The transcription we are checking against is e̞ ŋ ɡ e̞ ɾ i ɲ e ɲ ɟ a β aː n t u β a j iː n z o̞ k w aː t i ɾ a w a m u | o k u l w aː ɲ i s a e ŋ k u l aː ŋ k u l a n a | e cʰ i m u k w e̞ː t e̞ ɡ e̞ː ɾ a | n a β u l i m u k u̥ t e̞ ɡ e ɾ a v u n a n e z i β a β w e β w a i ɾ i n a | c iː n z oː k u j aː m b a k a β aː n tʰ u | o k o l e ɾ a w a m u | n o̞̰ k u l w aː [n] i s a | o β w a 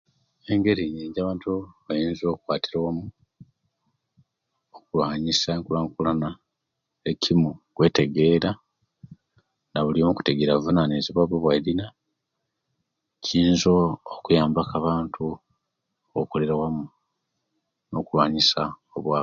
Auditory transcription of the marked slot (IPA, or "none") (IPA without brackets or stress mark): ɲ